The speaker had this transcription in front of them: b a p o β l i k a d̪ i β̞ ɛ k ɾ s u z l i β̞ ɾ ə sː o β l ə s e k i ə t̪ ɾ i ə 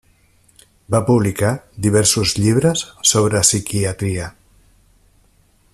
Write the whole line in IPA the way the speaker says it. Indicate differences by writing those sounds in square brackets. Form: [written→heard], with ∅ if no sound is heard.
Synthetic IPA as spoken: b a p [o→u] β l i k a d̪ i β̞ ɛ [k→∅] ɾ s u z [l→ʎ] i β̞ ɾ ə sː o β [l→ɾ] ə s [e→i] k i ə t̪ ɾ i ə